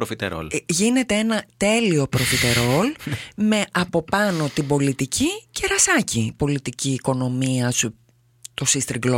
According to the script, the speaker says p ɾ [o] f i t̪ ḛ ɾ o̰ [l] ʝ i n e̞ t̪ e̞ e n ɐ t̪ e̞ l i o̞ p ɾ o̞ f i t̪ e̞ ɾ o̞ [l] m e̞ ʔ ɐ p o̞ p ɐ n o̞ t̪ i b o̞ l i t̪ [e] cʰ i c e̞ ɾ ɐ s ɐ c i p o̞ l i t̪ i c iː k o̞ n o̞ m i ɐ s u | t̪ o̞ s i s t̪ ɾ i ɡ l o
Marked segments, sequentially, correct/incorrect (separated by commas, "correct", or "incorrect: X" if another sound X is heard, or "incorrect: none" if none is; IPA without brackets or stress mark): correct, correct, correct, incorrect: i